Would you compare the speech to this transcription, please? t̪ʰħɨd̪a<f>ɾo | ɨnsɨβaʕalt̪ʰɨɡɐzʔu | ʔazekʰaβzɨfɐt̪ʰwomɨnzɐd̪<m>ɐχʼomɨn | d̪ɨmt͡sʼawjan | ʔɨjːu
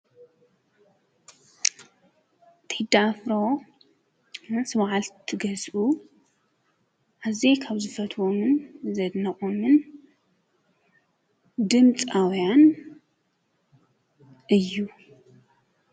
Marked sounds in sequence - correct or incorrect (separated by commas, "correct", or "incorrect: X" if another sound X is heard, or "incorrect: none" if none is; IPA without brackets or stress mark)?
correct, incorrect: n